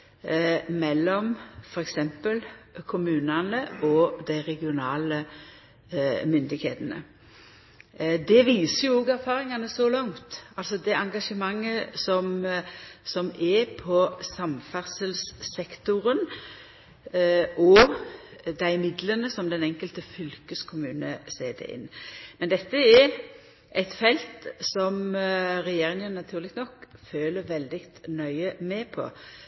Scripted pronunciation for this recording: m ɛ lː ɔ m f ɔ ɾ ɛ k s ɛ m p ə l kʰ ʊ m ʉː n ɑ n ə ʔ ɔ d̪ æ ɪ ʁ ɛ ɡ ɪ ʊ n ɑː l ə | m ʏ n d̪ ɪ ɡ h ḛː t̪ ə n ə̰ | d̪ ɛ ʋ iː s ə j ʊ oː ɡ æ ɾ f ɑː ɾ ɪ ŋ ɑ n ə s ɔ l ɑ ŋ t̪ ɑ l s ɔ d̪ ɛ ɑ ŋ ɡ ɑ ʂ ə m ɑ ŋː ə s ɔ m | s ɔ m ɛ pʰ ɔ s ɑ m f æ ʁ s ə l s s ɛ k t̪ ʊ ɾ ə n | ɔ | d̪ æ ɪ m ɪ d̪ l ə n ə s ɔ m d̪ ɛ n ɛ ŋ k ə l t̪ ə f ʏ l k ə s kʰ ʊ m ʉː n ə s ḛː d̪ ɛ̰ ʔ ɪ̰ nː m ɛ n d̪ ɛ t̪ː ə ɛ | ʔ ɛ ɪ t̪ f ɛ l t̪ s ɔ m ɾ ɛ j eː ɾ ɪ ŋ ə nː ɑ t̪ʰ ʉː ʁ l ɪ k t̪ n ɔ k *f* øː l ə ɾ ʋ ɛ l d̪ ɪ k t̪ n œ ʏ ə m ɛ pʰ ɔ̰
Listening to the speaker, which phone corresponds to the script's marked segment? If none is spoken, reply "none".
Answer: f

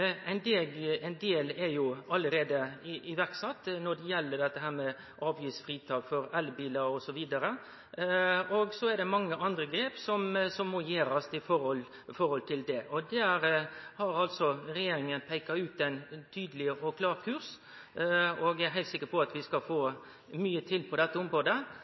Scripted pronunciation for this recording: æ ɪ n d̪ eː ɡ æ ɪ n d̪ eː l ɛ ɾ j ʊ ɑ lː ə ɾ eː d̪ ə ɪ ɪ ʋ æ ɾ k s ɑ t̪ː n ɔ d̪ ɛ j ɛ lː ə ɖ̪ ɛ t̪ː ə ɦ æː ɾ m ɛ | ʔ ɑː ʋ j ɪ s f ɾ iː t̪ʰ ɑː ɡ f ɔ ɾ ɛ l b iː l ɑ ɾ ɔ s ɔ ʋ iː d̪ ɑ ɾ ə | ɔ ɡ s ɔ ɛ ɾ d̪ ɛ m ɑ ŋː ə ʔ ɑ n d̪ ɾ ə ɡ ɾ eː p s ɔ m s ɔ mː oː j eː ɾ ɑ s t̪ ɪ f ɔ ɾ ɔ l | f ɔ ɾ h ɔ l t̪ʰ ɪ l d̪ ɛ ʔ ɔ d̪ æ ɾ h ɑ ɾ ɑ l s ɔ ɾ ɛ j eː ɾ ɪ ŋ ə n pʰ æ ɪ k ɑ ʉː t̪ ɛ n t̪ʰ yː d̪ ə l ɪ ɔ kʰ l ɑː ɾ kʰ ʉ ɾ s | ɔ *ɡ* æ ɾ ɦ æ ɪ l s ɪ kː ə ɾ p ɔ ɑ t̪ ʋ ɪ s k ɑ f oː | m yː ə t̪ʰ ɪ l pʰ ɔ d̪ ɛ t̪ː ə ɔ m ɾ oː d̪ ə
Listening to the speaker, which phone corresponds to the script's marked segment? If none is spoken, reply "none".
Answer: ɡ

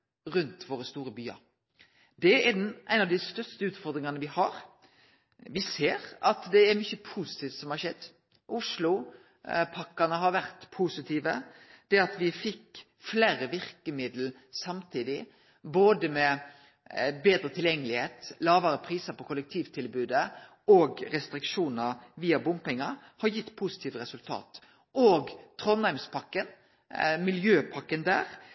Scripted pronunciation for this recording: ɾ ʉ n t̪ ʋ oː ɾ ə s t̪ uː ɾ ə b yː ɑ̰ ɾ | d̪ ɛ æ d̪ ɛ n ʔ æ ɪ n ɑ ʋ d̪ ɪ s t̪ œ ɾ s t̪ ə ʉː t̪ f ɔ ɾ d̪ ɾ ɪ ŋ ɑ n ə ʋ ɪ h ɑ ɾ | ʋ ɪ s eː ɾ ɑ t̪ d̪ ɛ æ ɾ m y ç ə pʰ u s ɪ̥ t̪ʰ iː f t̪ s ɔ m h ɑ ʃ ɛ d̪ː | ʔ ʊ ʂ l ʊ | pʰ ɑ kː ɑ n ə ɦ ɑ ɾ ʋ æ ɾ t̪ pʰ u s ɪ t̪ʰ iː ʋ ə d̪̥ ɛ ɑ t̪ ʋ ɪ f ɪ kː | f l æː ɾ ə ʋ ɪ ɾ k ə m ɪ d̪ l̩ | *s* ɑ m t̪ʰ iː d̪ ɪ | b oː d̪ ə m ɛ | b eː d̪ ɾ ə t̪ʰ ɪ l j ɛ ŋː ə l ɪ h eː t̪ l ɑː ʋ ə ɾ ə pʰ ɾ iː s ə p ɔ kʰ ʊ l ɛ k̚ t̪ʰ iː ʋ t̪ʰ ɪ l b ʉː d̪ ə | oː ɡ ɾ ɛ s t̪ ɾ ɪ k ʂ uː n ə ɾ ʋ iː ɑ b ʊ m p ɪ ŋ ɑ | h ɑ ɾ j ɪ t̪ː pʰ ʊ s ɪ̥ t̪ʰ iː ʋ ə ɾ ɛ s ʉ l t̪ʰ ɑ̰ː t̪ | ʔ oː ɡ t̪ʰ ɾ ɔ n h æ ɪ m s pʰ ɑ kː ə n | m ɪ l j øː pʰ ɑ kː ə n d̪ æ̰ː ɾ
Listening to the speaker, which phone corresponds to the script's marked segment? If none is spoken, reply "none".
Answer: s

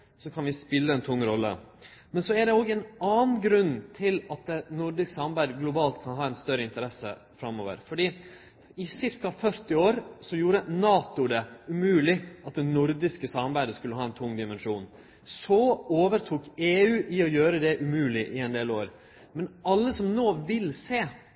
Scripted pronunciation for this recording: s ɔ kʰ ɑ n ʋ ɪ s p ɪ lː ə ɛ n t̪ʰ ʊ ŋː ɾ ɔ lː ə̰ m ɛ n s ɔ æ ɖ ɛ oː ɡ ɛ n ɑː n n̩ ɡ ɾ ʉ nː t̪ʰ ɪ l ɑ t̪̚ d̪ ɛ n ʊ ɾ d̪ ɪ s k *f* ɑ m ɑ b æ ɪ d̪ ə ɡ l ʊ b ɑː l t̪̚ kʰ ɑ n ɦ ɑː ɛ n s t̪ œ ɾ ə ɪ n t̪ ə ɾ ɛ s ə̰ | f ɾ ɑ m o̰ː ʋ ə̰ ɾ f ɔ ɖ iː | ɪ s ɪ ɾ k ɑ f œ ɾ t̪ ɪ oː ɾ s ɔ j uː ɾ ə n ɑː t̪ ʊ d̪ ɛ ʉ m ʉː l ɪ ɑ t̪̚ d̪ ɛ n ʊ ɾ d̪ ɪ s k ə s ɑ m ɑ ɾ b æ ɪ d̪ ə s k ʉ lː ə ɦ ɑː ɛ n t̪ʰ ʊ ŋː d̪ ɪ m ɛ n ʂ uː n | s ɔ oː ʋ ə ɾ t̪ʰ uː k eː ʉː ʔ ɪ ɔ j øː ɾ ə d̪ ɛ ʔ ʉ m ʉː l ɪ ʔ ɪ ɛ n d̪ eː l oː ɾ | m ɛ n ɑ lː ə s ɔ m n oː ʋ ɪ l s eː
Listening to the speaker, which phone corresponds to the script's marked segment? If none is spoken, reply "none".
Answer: s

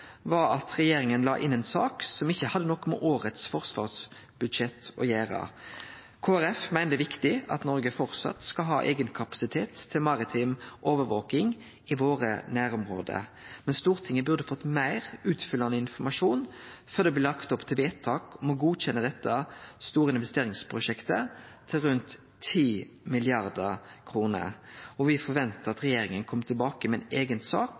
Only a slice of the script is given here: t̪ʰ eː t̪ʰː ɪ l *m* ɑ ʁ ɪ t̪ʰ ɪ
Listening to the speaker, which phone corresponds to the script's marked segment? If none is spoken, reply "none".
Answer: m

